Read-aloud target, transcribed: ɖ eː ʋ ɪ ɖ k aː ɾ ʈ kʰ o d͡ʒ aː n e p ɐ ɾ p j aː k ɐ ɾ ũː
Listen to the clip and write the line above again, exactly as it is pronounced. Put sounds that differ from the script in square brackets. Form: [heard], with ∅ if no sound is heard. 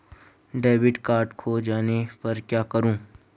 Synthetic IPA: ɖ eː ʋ ɪ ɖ k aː ɾ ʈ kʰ o d͡ʒ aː n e p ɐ ɾ [k] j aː k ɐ ɾ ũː

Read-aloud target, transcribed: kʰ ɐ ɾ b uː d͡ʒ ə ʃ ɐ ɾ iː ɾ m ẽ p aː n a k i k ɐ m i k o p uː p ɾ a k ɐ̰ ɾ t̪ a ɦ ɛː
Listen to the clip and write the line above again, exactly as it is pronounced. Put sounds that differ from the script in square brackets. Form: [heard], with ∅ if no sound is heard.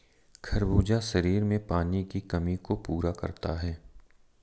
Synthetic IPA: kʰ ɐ ɾ b uː d͡ʒ [a] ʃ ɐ ɾ iː ɾ m ẽ p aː n [i] k i k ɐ m i k o p uː [∅] ɾ a k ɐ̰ ɾ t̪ a ɦ ɛː

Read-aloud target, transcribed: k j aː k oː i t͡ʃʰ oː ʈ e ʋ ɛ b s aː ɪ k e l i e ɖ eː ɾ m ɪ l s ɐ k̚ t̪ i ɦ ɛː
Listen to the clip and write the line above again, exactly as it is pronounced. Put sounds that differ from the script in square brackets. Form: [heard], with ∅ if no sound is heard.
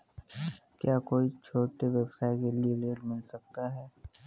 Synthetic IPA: k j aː k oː i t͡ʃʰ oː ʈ e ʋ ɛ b s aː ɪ k e l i e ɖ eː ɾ m ɪ l s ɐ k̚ t̪ [a] ɦ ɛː

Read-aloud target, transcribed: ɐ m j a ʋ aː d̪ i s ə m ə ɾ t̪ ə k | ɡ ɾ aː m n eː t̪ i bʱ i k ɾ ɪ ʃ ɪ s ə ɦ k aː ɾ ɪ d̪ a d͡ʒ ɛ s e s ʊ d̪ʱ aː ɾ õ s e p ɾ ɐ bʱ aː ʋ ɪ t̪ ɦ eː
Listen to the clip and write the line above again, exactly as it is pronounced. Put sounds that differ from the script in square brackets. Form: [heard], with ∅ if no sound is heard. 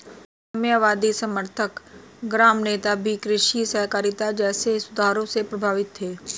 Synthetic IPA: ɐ m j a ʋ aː d̪ i s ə m ə ɾ [t̪ʰ] ə k | ɡ ɾ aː m n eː t̪ [a] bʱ i k ɾ ɪ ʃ [i] s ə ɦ k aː ɾ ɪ [t̪] a d͡ʒ [ɛː] s e s ʊ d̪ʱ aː ɾ õ s e p ɾ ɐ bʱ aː ʋ ɪ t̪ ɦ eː

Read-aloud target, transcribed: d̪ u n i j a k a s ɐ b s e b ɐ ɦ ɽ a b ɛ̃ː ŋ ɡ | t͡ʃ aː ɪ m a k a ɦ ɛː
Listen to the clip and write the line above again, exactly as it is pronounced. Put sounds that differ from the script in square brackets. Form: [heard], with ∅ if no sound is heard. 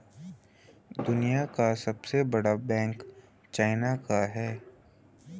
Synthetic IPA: d̪ [ʊ] n i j a k a s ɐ b s e b ɐ [∅] ɽ a b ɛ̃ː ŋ [k] | t͡ʃ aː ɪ [n] a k a ɦ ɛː

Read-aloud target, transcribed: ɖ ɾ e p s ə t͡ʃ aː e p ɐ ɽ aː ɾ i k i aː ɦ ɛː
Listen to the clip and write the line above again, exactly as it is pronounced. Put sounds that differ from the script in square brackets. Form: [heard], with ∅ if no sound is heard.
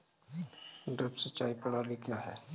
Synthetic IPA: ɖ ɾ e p s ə t͡ʃ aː [i] p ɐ ɽ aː [l] i k [j] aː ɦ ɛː

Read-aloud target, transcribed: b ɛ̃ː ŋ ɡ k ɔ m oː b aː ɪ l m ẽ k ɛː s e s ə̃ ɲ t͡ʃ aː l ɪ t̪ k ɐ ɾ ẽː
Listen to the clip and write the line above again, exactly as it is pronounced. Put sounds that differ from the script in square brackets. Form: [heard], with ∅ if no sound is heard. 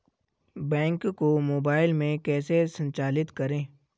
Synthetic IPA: b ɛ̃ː ŋ [k] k [o] m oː b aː ɪ l m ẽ k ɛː s e s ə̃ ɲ t͡ʃ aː l ɪ t̪ k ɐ ɾ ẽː

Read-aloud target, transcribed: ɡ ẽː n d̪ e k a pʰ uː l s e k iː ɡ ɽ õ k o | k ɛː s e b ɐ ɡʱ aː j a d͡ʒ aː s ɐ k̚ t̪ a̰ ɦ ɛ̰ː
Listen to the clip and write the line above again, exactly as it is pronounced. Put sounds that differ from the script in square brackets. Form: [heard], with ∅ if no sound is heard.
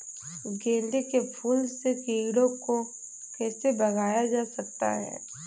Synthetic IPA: ɡ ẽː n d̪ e k [e] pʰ uː l s e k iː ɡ ɽ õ k o | k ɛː s e b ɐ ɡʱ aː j a d͡ʒ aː s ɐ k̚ t̪ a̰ ɦ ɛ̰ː

